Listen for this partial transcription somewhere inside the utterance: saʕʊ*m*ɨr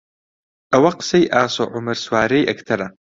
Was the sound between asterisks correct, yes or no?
yes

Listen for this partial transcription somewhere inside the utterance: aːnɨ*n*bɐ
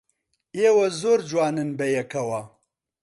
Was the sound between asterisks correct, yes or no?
yes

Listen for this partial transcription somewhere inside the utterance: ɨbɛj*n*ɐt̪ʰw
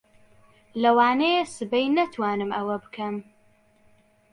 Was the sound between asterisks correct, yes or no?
yes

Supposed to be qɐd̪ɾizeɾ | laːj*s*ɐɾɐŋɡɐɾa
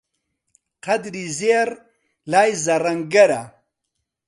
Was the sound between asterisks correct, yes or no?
no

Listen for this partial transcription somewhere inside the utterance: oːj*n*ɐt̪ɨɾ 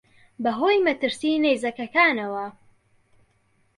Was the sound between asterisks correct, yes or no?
no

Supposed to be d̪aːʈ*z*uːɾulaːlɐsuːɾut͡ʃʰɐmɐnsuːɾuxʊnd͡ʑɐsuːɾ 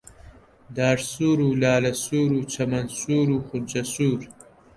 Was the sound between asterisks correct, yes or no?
no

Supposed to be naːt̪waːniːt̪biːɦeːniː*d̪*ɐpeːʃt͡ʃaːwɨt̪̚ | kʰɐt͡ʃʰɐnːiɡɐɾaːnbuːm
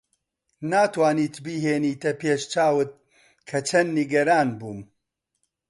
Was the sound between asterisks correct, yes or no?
no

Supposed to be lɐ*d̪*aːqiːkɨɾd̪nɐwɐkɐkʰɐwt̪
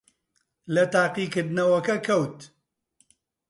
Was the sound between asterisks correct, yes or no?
no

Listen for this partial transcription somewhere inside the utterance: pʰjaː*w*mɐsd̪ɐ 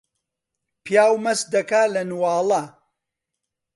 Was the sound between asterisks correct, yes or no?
yes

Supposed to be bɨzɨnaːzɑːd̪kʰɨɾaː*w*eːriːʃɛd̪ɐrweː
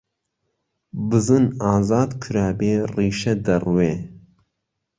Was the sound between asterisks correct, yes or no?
no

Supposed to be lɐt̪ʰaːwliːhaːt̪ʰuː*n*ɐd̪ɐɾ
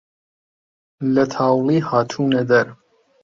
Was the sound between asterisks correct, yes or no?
yes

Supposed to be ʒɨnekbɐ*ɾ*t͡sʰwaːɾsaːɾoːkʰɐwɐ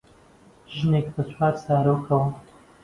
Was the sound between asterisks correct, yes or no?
no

